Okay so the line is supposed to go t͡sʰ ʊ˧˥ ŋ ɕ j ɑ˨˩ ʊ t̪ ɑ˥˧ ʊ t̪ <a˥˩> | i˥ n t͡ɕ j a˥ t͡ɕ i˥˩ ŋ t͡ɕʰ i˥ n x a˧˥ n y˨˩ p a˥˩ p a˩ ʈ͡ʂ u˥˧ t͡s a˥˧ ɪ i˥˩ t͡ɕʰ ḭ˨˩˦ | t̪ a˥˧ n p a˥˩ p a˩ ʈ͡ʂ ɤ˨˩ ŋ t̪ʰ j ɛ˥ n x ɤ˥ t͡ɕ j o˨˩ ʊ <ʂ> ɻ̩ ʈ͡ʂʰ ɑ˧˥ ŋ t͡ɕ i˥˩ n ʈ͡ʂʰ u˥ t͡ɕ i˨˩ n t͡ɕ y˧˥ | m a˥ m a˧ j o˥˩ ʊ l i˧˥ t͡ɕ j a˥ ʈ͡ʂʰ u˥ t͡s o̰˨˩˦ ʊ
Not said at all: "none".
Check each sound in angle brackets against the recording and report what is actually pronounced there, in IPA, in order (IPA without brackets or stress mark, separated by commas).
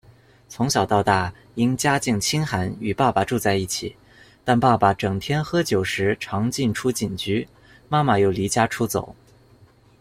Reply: a˥˩, ʂ